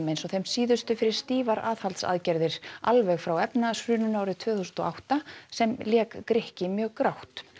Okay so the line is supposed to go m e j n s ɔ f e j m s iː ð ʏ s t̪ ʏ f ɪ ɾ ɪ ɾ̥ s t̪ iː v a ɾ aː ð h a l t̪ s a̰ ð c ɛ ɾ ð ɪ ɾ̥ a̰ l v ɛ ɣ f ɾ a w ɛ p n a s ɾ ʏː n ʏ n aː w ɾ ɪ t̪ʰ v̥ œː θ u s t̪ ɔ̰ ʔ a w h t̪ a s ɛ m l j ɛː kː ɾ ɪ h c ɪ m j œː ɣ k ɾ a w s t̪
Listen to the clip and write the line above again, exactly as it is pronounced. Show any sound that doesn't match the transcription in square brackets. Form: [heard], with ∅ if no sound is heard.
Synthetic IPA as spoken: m e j n s ɔ [θ] e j m s iː ð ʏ s t̪ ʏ f ɪ ɾ ɪ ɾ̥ s t̪ iː v a ɾ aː ð h a l t̪ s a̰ ð c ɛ ɾ ð ɪ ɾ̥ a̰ l v ɛ ɣ f ɾ a w ɛ p n a s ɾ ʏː n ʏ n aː w ɾ ɪ t̪ʰ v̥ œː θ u s t̪ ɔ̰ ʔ a w h t̪ a s ɛ m l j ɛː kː ɾ ɪ h c ɪ m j œː ɣ k ɾ a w [h] t̪